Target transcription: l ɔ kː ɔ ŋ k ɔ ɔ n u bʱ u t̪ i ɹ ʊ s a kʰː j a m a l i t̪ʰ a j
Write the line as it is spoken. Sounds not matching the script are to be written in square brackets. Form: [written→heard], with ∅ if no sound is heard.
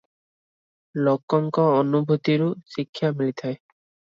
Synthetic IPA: l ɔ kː ɔ ŋ k ɔ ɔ n u bʱ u t̪ i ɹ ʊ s [a→i] kʰː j a m [a→i] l i t̪ʰ a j